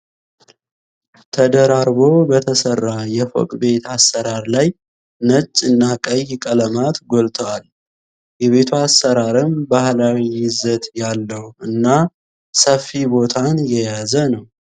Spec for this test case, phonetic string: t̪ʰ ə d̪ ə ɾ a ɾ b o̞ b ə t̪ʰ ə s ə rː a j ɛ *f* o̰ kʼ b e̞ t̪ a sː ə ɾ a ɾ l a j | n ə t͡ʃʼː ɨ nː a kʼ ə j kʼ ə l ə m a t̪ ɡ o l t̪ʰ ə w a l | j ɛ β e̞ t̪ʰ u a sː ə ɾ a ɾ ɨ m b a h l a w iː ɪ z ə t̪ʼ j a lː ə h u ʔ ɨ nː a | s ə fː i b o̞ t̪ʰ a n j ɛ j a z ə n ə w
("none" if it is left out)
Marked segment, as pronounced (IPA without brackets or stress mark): f